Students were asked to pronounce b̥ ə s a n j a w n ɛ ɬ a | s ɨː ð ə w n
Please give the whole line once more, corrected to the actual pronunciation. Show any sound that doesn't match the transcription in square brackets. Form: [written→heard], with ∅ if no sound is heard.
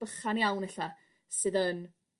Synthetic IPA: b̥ ə [s→χ] a n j a w n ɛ ɬ a | s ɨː ð ə [w→∅] n